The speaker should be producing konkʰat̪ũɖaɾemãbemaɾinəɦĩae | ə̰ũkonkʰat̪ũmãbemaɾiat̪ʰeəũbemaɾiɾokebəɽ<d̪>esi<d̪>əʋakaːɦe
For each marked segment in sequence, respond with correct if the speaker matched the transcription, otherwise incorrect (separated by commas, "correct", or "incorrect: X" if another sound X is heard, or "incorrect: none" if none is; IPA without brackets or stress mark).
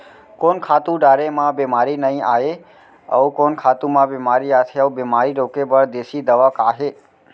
correct, correct